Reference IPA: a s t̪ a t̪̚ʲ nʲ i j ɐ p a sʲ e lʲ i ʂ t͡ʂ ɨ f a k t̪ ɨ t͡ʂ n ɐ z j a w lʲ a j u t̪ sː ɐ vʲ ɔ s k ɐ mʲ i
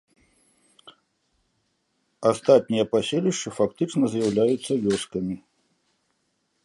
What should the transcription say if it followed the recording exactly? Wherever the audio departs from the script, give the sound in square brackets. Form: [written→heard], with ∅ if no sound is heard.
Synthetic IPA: a s t̪ a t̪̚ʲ nʲ i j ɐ p a sʲ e lʲ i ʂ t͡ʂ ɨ f a k t̪ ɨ t͡ʂ n ɐ z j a w lʲ a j u t̪ sː ɐ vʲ ɔ s k ɐ mʲ i